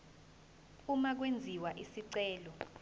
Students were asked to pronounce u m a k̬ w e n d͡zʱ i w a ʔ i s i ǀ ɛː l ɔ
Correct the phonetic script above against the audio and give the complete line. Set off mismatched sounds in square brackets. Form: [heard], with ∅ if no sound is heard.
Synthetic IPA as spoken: u m a k̬ w e n d͡zʱ i w a ʔ i s i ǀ ɛː l ɔ